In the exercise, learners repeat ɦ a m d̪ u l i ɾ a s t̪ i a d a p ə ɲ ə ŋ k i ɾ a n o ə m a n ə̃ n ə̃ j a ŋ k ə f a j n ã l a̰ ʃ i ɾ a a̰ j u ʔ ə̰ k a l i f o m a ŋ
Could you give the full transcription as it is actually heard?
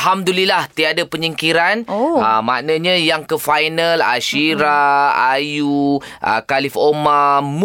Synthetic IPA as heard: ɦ a m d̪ u l i l a h t̪ i a d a p ə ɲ ə ŋ k i ɾ a n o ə m a n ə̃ ɲ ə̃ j a ŋ k ə f a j n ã l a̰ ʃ i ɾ a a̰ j u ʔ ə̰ k a l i f o m a m